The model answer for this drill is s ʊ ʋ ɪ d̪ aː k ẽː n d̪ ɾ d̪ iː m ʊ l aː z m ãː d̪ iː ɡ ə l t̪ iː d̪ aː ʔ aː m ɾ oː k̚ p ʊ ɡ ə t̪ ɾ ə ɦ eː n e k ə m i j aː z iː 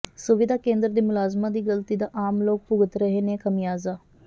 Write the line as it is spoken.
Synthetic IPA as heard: s ʊ ʋ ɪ d̪ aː k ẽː n d̪ ɾ d̪ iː m ʊ l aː z m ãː d̪ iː ɡ ə l t̪ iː d̪ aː ʔ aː m l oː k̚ p ʊ ɡ ə t̪ ɾ ə ɦ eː n e k ə m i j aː z aː